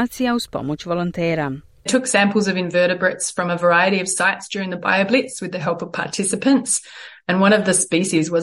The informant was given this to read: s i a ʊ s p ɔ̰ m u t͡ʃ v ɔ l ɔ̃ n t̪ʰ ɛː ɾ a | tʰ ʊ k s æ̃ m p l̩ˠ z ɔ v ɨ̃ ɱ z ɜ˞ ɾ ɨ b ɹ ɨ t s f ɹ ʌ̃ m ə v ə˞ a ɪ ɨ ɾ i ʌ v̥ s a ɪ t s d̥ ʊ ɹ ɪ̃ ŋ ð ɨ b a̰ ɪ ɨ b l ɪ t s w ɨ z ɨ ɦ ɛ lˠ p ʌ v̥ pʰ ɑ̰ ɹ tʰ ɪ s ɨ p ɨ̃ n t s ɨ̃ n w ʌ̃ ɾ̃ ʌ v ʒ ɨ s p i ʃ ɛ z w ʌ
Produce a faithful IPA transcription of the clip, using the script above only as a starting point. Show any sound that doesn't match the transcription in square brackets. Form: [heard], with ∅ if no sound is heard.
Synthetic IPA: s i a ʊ s p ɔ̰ m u t͡ʃ v ɔ l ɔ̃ n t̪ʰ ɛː ɾ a | tʰ ʊ k s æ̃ m p l̩ˠ z [ʌ] v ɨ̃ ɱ [v] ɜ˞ ɾ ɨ b ɹ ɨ t s f ɹ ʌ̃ m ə v ə˞ a ɪ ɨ ɾ i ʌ v̥ s a ɪ t s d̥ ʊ ɹ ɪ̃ ŋ ð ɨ b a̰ ɪ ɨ b l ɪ t s w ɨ [ð] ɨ ɦ ɛ lˠ p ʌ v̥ pʰ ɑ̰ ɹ tʰ ɪ s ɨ p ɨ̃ n t s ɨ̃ n w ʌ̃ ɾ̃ ʌ v [ð] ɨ s p i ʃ [i] z w ʌ